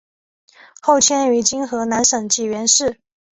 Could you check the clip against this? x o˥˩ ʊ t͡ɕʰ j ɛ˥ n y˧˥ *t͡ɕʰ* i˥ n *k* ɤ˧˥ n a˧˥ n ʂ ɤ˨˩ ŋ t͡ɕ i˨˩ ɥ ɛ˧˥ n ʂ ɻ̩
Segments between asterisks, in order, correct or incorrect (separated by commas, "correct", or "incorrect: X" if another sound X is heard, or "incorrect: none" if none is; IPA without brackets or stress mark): incorrect: t͡ɕ, incorrect: x